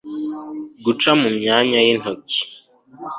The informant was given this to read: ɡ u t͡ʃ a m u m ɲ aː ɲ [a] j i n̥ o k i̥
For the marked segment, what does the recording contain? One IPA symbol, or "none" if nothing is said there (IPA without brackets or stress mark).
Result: a